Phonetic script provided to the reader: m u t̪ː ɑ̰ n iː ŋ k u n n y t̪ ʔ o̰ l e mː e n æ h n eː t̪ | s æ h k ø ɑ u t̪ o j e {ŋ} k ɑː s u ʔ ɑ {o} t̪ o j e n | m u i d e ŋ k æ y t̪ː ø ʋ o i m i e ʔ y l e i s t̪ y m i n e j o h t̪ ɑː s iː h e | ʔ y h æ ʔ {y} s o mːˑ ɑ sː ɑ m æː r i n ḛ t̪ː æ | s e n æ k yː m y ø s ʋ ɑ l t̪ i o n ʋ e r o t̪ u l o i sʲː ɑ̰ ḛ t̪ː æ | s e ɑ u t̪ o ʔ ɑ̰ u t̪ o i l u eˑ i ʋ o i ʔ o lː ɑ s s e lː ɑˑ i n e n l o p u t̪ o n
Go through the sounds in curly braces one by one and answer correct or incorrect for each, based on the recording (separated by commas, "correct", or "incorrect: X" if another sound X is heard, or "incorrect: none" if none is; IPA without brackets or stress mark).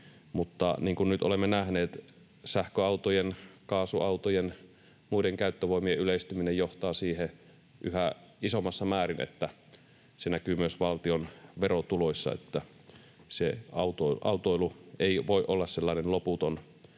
incorrect: n, incorrect: u, incorrect: i